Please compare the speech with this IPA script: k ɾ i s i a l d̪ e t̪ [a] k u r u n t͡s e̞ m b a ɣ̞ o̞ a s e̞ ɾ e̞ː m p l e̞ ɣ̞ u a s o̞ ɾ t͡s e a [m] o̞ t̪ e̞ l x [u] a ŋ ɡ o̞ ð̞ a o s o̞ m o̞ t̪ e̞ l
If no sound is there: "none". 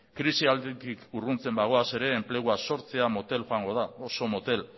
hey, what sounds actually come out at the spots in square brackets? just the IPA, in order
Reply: i, m, o

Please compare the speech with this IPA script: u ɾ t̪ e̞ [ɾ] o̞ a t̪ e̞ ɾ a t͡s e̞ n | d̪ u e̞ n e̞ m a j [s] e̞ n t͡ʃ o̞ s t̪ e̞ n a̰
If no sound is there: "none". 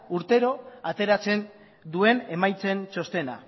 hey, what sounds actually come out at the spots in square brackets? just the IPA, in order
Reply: ɾ, t͡s

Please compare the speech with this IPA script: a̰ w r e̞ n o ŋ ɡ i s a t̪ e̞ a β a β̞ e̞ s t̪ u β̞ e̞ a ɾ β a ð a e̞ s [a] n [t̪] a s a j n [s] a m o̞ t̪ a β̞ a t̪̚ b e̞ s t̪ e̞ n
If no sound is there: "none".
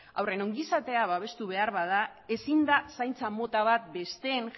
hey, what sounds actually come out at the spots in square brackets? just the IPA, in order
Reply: i, d̪, t͡s

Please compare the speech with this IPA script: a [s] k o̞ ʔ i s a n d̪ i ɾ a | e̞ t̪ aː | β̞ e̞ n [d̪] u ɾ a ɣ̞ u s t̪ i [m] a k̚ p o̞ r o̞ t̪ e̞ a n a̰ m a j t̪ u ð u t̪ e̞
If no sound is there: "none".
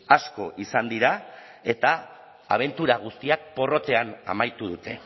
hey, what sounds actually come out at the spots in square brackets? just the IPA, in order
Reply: s, t̪, none

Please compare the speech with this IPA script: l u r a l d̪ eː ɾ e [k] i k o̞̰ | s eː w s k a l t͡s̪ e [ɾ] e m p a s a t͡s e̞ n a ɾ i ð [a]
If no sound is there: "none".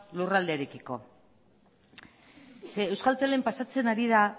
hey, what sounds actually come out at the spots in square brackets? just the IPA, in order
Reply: k, l, a

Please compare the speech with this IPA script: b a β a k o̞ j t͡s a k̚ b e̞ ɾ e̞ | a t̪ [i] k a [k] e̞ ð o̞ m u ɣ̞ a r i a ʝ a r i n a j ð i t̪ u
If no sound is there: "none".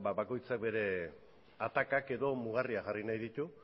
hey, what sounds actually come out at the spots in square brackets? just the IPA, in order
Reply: a, k

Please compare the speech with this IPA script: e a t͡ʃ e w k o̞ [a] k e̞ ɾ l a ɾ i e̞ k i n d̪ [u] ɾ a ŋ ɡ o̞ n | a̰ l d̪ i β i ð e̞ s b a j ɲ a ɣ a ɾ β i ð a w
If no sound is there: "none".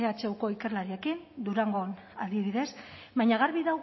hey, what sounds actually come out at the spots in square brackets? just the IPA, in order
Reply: i, u

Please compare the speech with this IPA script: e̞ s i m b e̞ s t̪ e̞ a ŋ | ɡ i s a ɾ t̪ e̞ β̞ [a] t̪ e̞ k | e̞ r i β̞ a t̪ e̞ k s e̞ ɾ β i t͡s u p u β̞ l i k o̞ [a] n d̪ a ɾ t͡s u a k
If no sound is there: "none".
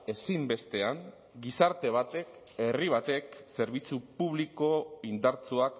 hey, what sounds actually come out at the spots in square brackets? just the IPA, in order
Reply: a, i

